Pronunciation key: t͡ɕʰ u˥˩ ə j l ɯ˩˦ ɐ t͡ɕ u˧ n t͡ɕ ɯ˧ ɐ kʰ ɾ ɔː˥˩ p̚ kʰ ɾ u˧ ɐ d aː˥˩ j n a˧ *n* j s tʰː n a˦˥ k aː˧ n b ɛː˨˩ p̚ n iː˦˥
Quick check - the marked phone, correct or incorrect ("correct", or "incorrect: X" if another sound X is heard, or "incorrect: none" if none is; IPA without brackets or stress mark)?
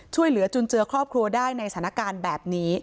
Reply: incorrect: none